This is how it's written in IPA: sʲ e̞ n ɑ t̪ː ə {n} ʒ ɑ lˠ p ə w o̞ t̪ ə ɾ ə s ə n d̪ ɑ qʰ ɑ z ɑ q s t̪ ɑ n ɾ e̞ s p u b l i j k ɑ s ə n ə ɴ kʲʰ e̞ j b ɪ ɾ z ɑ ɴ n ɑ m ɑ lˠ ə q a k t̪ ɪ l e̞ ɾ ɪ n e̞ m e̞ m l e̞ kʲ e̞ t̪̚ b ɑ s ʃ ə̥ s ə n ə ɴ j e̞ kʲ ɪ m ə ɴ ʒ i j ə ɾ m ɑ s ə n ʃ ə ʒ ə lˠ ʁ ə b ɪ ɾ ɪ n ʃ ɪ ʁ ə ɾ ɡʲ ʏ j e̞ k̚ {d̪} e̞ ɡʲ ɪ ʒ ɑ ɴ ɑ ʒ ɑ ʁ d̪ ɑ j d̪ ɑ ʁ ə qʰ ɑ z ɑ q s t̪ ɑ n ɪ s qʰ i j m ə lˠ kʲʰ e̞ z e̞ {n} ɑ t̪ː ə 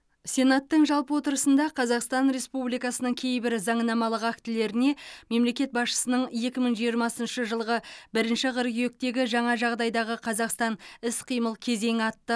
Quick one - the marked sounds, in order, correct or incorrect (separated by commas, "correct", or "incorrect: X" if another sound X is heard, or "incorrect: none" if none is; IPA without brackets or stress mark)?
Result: incorrect: ɴ, incorrect: t̪, incorrect: ŋ